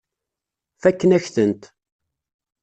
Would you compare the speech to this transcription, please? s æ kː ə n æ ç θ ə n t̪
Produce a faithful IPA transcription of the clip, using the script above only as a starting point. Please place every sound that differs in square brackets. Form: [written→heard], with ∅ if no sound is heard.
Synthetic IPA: [s→f] æ kː ə n æ ç θ ə n t̪